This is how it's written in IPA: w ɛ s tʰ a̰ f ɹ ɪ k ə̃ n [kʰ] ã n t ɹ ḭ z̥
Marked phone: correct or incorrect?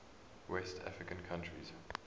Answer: correct